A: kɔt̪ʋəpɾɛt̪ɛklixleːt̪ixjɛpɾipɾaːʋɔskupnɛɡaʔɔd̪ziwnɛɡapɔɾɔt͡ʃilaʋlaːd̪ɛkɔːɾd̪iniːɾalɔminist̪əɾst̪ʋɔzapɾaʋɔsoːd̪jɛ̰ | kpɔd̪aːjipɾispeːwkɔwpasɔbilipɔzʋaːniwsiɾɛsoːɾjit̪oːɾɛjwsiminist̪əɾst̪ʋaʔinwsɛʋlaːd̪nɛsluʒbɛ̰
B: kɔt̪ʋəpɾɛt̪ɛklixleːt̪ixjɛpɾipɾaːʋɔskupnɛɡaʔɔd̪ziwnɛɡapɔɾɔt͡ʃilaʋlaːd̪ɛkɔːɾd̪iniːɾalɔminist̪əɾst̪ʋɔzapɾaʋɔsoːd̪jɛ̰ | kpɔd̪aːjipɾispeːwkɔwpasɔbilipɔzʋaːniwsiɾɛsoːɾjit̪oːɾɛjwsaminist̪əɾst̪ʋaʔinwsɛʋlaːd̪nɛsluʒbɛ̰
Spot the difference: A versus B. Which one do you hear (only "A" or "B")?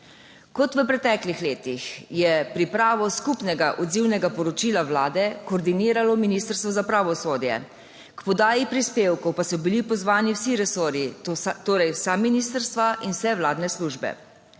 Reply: B